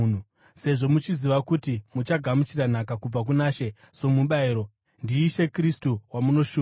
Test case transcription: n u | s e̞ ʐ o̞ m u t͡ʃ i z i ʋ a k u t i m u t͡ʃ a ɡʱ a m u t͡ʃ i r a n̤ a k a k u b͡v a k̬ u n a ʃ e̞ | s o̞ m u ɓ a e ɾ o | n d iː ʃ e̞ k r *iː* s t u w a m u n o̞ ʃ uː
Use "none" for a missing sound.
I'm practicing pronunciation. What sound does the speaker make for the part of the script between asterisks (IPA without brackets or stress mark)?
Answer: i